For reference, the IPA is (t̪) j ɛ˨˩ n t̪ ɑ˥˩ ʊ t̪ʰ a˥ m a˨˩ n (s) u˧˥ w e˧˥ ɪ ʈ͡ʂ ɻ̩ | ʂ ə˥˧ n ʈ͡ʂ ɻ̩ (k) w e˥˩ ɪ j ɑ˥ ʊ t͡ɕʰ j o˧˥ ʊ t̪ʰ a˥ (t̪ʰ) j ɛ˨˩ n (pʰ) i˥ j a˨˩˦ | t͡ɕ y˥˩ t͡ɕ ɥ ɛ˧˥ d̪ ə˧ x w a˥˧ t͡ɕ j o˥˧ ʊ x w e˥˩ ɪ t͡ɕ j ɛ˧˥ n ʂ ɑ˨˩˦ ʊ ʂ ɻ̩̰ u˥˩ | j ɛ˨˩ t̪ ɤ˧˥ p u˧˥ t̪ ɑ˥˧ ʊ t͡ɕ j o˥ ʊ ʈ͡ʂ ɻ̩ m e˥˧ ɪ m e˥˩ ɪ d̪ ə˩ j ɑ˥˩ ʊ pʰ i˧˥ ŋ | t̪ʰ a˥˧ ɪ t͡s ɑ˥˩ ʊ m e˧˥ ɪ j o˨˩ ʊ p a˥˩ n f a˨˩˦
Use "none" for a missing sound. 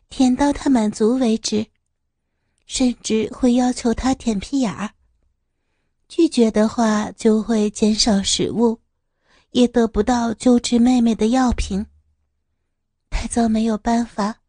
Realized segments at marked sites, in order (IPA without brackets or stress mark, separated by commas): t̪ʰ, t͡s, x, t̪ʰ, pʰ